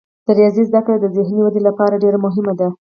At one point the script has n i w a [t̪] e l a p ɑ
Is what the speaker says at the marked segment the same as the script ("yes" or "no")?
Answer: no